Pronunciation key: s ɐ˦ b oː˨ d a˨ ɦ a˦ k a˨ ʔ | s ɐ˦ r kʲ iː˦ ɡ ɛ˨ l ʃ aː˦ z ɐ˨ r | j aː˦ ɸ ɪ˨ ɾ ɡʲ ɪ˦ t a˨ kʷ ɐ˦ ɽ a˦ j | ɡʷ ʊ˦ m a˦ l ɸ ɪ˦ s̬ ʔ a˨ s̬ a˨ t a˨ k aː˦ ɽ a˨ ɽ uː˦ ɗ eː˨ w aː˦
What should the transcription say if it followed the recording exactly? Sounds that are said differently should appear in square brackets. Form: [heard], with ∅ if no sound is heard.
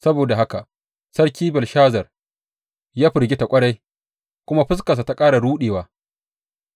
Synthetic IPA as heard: s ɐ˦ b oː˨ d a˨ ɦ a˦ k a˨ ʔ | s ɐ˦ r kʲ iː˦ [b] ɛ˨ l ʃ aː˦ z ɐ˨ r | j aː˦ ɸ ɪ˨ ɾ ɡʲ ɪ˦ t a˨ [kʷʼ] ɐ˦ ɽ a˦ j | [kʷ] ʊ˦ m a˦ [∅] ɸ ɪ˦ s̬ [k] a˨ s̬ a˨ t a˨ [kʼ] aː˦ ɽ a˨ ɽ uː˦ ɗ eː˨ w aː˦